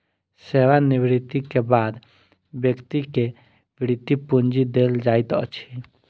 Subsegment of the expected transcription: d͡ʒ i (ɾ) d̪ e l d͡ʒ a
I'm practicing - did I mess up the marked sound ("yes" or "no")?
yes